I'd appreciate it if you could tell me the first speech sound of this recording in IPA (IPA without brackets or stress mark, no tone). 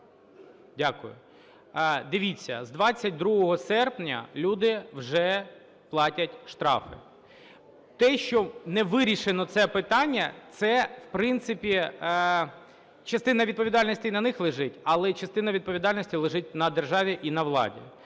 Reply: dʲ